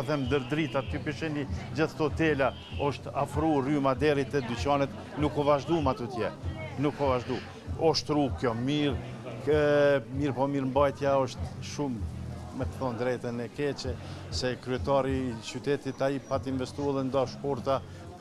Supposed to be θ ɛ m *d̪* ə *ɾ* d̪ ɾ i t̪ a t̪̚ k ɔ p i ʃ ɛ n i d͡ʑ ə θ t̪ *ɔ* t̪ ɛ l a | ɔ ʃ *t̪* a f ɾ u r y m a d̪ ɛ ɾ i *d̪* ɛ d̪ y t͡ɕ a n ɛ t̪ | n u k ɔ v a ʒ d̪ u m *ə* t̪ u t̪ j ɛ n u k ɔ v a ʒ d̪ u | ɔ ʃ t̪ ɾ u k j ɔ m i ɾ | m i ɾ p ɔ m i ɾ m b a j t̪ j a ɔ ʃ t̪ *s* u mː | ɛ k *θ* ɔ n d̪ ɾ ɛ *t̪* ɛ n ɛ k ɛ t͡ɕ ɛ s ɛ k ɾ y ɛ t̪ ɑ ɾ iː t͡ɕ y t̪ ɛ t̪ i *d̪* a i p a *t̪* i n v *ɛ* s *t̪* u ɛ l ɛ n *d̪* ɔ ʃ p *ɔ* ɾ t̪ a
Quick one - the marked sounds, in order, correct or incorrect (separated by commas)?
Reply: correct, correct, correct, correct, incorrect, incorrect, incorrect, correct, correct, incorrect, correct, correct, correct, correct, correct